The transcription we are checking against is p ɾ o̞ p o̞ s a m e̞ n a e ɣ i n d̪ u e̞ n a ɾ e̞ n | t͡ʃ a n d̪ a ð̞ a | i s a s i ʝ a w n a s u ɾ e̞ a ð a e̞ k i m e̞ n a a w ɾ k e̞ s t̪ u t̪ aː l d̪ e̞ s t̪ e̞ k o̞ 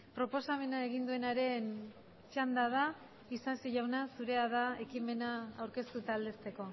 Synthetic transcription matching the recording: p ɾ o̞ p o̞ s a m e̞ n a e ɣ i n d̪ u e̞ n a ɾ e̞ n | t͡ʃ a n d̪ a ð̞ a | i s a s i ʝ a w n a s u ɾ e̞ a ð a e̞ k i m e̞ n a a w ɾ k e̞ s t̪ u t̪ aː l d̪ e̞ s t̪ e̞ k o̞